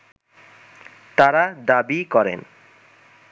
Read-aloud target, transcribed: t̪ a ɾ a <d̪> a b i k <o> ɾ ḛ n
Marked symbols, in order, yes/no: yes, no

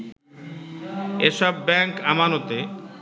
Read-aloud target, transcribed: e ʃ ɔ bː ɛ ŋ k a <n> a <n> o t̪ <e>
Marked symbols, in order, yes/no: no, yes, yes

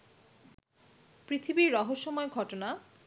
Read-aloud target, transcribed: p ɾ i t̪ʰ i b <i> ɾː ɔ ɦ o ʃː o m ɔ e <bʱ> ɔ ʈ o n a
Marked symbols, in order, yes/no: yes, no

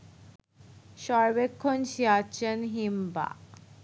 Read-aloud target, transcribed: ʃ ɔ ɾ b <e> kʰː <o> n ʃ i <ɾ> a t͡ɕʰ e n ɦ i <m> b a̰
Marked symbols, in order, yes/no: yes, yes, no, yes

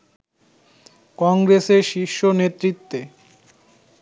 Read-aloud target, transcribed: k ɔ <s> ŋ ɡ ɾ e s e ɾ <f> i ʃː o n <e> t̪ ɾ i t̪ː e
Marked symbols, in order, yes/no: no, no, yes

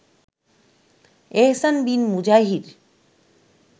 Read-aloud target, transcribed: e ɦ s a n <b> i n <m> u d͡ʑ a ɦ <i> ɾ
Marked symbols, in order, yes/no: yes, yes, yes

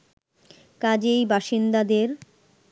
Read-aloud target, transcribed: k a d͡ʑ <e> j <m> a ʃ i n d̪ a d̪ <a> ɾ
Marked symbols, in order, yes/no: yes, no, no

